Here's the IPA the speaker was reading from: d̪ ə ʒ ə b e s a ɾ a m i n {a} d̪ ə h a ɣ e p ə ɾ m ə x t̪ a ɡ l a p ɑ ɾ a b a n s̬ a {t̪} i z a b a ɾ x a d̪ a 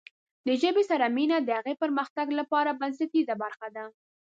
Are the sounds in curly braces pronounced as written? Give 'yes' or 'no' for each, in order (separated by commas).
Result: yes, yes